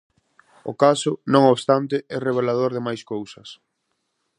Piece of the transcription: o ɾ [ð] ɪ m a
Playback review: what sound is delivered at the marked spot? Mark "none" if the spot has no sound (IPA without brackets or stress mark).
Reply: ð